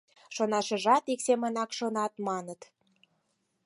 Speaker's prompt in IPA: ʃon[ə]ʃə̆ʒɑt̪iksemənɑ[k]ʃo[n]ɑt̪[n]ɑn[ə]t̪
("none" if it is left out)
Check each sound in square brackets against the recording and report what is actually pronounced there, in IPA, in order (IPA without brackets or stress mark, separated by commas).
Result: ɑ, k, n, m, ə